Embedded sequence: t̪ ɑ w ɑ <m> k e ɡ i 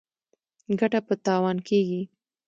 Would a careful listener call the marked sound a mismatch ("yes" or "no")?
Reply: yes